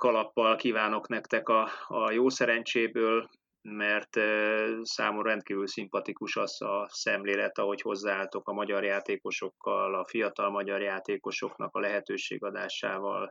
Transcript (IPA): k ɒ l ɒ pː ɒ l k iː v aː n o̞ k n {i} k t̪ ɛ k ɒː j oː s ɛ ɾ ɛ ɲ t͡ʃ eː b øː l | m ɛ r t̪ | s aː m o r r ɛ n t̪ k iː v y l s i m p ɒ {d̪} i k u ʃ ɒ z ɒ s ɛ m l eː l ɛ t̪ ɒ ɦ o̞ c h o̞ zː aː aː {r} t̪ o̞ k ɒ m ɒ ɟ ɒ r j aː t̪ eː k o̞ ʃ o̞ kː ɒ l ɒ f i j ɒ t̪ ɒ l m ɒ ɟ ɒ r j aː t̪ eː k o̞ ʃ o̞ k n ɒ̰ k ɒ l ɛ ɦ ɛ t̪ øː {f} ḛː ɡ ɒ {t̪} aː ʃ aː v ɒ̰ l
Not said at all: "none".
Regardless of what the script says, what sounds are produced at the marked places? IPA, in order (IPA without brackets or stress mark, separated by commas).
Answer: ɛ, t̪, l, ʃ, d̪